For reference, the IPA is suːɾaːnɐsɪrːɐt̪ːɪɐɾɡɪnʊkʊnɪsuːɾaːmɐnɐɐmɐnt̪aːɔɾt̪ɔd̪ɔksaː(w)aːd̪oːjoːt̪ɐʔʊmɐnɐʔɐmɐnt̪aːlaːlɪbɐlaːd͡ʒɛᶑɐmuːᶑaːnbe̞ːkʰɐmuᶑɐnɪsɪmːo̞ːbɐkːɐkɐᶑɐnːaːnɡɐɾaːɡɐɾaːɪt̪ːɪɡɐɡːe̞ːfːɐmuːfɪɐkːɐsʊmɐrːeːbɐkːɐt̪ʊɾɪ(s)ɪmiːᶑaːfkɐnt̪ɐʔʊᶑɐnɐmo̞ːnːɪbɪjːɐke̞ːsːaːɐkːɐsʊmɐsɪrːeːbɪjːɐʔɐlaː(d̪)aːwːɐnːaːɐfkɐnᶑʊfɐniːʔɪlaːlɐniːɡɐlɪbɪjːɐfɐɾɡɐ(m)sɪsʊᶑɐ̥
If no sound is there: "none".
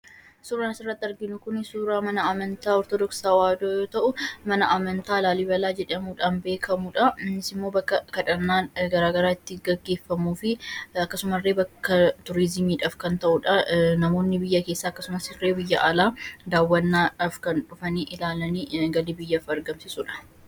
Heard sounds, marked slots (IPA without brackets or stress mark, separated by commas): w, z, d̪, m